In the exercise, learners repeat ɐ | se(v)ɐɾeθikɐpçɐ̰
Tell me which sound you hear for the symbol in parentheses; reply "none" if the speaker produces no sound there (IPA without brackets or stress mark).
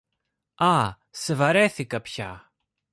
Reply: v